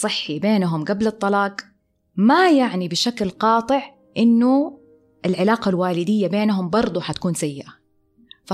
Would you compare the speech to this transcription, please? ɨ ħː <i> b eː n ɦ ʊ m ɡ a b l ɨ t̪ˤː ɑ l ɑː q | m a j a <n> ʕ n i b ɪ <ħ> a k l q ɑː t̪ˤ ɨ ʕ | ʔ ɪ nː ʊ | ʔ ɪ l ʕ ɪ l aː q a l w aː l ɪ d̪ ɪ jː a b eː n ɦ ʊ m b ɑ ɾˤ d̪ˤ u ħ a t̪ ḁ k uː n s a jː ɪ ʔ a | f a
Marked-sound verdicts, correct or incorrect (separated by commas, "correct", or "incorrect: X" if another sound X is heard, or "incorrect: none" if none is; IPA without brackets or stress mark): correct, incorrect: none, incorrect: ʃ